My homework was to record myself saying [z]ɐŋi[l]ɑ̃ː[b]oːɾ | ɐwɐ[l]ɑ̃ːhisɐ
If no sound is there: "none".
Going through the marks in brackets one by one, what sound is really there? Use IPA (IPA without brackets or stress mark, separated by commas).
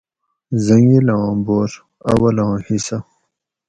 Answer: z, l, b, l